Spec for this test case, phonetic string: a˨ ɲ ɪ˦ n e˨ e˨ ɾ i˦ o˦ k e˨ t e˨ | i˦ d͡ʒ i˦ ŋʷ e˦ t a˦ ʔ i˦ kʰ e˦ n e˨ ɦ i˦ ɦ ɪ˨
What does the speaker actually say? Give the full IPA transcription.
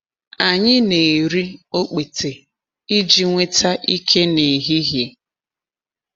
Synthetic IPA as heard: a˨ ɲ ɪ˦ n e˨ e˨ ɾ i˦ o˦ k͡p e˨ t e˨ | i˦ d͡ʒ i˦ ŋʷ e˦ t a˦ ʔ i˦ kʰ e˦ n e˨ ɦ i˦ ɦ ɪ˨